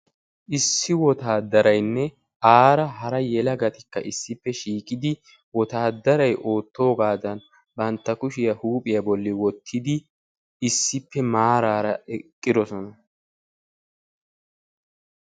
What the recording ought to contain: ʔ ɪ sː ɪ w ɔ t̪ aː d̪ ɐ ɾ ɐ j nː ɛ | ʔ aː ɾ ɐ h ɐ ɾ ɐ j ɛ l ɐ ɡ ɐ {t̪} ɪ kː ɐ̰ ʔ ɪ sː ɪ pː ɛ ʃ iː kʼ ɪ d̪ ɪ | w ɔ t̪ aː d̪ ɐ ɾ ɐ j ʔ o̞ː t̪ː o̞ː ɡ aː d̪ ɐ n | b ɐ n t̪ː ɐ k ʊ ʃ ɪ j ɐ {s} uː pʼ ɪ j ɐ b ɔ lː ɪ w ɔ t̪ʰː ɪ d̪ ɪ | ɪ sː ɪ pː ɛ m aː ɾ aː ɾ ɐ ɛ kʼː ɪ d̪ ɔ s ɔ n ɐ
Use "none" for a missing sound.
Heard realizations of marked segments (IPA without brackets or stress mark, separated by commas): t̪, h